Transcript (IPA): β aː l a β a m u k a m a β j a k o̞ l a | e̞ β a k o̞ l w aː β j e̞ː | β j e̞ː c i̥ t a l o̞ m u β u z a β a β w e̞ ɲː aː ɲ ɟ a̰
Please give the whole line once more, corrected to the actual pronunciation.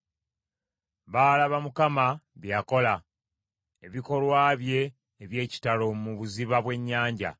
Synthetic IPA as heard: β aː l a β a m u k a m a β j a k o̞ l a | e̞ β i k o̞ l w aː β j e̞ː | β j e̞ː c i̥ t a l o̞ m u β u z i β a β w e̞ ɲː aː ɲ ɟ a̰